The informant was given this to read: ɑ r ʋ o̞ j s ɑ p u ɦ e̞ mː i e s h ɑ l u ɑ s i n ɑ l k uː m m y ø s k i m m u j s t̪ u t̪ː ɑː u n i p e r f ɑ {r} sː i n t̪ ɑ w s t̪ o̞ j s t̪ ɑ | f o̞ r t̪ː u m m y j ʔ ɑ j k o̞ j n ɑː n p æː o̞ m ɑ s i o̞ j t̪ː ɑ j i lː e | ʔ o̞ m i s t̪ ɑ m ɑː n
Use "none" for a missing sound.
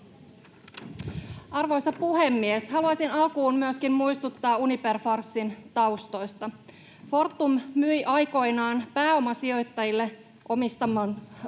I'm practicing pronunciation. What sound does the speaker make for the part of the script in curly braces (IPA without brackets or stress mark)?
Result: r